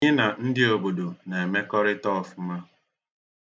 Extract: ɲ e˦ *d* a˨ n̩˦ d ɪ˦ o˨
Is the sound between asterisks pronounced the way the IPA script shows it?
no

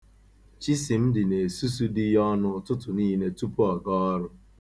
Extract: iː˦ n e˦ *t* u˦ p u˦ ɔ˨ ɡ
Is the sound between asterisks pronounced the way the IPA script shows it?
yes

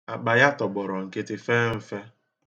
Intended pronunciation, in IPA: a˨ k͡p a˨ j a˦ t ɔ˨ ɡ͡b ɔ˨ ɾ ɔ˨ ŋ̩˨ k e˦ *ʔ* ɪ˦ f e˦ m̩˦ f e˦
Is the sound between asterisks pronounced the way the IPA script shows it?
no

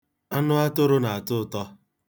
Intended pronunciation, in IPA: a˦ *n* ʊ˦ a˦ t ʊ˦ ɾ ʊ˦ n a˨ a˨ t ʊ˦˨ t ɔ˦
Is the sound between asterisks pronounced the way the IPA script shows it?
yes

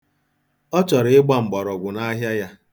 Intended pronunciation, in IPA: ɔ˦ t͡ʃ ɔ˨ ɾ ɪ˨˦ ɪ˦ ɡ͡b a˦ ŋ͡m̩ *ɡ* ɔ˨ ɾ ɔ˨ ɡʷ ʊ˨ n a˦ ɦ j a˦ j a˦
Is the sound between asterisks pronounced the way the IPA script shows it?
no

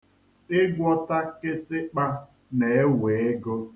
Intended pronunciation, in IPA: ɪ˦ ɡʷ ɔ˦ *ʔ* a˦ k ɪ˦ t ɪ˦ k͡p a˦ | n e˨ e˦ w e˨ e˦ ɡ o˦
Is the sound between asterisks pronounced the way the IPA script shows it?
no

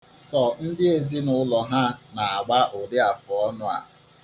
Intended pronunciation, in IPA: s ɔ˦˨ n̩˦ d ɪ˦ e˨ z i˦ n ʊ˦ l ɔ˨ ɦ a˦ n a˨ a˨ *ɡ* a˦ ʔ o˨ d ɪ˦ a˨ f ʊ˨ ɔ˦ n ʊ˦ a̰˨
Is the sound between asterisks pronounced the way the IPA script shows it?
no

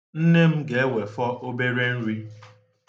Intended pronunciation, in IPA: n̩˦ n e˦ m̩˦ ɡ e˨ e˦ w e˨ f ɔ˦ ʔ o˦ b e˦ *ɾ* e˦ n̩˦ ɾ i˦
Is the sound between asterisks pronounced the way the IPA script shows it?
yes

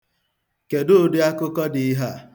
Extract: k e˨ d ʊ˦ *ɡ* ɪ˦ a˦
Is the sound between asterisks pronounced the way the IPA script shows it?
no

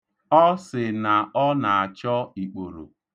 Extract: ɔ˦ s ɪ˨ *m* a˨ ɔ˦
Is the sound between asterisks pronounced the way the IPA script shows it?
no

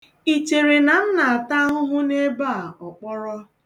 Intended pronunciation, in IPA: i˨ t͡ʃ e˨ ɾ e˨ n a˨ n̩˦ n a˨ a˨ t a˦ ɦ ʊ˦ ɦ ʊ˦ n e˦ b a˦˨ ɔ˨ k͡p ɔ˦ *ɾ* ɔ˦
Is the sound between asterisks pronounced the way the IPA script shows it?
yes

